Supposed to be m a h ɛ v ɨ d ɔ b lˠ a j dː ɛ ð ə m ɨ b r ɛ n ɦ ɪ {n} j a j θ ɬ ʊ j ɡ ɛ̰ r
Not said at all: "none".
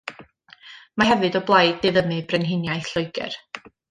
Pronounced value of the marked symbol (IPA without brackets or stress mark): n